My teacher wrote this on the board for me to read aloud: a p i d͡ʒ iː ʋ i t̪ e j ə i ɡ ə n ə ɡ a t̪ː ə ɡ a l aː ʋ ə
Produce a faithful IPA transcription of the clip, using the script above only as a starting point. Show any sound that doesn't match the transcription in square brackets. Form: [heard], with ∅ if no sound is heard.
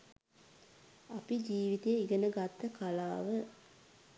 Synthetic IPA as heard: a p i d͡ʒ iː ʋ i t̪ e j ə i ɡ ə n ə ɡ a t̪ː ə [k] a l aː ʋ ə

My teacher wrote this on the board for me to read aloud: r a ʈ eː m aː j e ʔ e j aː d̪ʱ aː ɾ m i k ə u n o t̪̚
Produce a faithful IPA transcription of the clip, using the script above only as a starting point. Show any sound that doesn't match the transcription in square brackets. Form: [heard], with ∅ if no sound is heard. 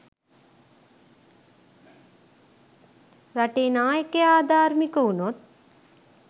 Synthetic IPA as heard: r a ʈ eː [n] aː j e [k] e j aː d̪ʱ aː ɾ m i k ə u n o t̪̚

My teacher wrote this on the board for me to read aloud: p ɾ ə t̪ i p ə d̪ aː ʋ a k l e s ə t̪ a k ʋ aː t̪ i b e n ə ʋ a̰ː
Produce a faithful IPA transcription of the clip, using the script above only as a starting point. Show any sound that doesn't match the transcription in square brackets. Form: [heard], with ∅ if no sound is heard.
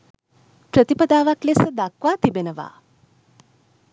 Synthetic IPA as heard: p ɾ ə t̪ i p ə d̪ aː ʋ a k l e s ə [d̪] a k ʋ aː t̪ i b e n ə ʋ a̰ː

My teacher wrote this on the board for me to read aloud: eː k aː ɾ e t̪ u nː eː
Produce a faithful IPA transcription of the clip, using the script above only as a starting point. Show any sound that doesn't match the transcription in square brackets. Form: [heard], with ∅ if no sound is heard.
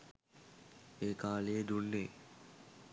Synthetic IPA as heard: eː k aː [l] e [d̪] u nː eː

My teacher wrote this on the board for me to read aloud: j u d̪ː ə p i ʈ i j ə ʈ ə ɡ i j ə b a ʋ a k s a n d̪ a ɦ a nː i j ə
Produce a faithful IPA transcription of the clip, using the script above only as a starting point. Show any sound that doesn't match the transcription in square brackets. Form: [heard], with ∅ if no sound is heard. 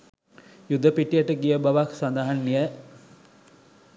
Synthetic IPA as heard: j u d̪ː ə p i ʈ i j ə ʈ ə ɡ i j ə b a ʋ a k s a n d̪ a ɦ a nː i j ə

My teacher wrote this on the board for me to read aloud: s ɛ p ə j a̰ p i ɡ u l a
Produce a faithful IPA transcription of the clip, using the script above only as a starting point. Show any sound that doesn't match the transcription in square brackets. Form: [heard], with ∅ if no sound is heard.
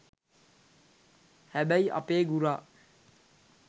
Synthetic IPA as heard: [h] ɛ [b] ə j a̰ p [e] ɡ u [ɾ] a

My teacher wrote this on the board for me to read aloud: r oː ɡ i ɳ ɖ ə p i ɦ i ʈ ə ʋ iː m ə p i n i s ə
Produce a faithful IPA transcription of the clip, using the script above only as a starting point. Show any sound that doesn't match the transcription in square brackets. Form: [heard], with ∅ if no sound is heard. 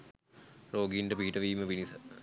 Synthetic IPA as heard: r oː ɡ i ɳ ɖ ə p i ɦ i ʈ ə ʋ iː m ə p i n i s ə

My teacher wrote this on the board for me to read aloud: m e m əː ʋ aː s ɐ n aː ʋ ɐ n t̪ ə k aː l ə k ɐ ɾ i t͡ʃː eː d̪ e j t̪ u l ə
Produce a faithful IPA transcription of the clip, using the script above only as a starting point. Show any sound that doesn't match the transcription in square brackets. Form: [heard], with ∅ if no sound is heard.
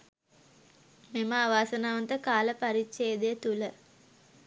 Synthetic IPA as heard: m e m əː ʋ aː s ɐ n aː ʋ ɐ n t̪ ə k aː l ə [p] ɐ ɾ i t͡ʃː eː d̪ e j t̪ u l ə

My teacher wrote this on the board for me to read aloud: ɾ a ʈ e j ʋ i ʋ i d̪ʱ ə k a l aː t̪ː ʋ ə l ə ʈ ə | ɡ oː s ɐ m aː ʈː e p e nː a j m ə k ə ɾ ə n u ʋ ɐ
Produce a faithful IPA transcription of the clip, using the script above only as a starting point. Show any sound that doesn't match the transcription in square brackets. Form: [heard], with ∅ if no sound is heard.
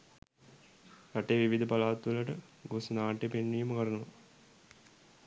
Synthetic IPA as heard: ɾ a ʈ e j ʋ i ʋ i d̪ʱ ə [p] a l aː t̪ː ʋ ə l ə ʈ ə | ɡ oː s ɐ [n] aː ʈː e p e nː [i] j m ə k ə ɾ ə n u ʋ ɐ

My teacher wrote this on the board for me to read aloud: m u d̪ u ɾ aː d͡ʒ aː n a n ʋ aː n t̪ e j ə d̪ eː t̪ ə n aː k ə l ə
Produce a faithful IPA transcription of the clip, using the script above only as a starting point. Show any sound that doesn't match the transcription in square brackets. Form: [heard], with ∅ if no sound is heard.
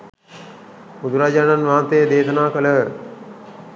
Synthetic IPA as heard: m u d̪ u ɾ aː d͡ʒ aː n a n ʋ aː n t̪ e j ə d̪ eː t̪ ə n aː k ə l ə

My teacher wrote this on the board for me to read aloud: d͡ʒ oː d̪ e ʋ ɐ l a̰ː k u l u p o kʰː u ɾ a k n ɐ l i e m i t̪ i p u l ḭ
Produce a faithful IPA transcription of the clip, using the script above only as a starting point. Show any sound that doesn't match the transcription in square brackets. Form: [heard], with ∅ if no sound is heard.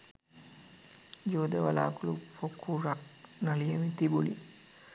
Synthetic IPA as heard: d͡ʒ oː d̪ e ʋ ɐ l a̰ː k u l u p o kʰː u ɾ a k n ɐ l i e m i t̪ i [b] u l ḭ

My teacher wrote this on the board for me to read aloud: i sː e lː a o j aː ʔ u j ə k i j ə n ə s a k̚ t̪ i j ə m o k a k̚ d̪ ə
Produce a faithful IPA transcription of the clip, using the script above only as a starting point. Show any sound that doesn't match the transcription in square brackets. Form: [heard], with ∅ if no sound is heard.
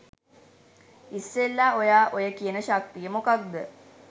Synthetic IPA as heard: i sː e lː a o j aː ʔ [o] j ə k i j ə n ə [ʃ] a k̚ t̪ i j ə m o k a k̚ d̪ ə

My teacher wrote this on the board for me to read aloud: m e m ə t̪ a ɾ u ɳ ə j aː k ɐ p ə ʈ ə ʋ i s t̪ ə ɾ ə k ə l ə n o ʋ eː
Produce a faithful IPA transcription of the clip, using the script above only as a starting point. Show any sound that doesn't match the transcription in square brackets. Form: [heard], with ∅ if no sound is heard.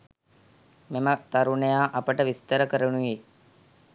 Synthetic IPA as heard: m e m ə t̪ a ɾ u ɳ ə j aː [ʔ] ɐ p ə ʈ ə ʋ i s t̪ ə ɾ ə k ə [ɾ] ə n [u] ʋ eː

